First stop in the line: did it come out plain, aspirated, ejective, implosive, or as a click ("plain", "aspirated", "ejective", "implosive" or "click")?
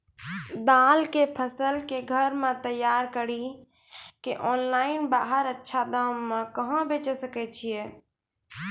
plain